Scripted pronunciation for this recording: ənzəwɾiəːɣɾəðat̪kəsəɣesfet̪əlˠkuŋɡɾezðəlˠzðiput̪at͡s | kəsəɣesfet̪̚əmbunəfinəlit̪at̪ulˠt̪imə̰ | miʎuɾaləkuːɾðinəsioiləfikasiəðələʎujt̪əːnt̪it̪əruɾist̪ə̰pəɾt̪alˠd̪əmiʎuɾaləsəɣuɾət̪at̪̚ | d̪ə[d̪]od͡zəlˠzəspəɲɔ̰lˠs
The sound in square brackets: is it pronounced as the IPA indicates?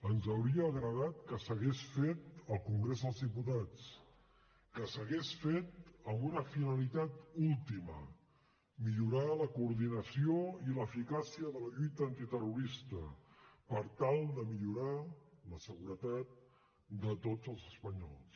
no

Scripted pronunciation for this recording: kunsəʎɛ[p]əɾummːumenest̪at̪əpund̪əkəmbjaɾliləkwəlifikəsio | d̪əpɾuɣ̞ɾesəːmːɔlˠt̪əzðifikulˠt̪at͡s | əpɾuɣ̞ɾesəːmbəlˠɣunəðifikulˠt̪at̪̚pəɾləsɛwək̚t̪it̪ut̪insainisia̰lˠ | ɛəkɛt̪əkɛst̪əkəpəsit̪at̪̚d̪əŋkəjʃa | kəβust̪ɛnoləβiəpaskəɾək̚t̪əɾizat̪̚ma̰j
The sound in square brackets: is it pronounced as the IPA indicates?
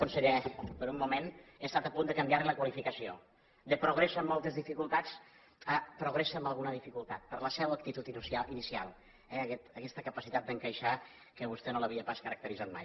yes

